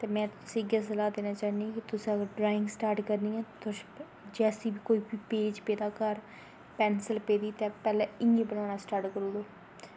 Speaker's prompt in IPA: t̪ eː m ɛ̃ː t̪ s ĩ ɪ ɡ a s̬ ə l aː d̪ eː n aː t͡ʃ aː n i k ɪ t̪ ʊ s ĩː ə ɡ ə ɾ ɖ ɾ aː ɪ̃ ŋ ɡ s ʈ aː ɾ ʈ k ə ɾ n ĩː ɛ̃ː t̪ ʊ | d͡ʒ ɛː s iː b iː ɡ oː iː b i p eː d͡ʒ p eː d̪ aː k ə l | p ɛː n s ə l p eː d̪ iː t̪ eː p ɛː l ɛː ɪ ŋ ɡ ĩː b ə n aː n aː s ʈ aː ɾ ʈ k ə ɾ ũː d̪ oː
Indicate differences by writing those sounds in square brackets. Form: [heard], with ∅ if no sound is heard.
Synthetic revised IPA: t̪ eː m ɛ̃ː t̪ s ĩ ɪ ɡ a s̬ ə l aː d̪ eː n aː t͡ʃ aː n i k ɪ t̪ ʊ s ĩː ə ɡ ə ɾ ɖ ɾ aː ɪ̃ ŋ ɡ s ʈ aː ɾ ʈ k ə ɾ n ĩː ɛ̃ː t̪ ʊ | d͡ʒ ɛː s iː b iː [k] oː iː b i p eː d͡ʒ p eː d̪ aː k ə [ɾ] | p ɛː n s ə l p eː d̪ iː t̪ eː p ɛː l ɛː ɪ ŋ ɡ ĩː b ə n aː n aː s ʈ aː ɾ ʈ k ə ɾ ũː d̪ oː